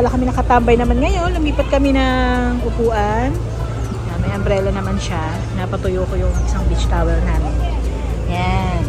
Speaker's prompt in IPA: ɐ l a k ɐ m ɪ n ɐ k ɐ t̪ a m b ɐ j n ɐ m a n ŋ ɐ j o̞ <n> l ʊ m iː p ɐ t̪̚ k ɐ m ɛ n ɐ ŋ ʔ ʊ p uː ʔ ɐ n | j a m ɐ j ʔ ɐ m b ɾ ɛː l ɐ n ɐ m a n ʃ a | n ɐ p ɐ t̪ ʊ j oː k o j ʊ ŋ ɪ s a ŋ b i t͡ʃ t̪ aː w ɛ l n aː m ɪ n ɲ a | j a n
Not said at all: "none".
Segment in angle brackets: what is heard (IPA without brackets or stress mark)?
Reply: n